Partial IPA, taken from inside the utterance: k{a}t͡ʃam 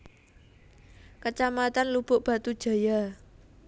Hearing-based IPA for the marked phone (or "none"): ə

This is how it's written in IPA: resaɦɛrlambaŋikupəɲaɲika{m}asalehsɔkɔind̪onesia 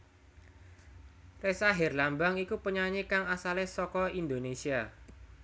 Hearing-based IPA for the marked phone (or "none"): ŋ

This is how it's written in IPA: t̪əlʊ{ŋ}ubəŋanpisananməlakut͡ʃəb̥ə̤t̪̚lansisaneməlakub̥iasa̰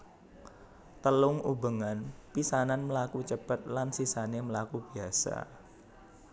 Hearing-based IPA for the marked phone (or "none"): ŋ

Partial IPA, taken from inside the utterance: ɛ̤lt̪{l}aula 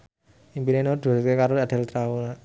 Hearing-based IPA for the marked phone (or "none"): ɾ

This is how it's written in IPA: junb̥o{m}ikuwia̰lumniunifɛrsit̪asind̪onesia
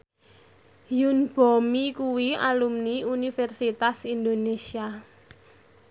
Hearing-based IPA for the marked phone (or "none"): m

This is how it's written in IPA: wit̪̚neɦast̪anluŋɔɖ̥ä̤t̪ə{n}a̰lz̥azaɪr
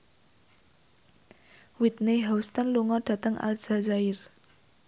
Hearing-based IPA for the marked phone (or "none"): ŋ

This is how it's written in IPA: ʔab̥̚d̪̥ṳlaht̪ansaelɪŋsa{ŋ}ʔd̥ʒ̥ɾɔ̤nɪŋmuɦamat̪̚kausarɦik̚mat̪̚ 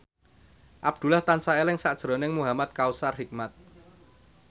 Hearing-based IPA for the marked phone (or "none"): none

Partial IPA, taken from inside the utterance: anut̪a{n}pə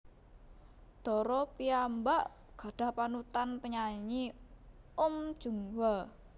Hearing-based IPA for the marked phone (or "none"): n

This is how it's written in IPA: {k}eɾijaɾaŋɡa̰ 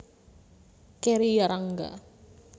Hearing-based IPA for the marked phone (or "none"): k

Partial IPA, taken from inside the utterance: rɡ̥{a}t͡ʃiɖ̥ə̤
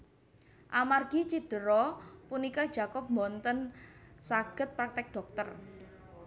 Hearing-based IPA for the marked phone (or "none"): i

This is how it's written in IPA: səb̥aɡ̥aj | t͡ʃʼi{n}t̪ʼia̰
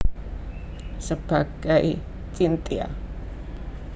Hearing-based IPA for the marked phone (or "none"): n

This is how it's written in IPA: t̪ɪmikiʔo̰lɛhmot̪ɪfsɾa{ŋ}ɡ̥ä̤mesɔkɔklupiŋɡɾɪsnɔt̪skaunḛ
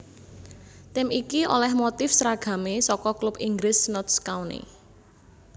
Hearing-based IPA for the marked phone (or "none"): none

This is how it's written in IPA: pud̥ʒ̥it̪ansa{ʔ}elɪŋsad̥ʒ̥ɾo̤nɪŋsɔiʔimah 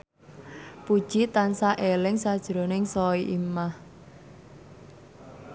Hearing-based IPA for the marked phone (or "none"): ʔ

